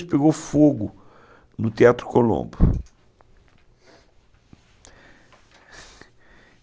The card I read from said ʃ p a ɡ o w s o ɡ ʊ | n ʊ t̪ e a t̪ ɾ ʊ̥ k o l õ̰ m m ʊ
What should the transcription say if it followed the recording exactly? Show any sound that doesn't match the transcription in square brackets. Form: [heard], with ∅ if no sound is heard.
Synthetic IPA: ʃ p [e] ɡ o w [f] o ɡ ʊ | n ʊ t̪ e a t̪ ɾ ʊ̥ k o l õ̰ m [b] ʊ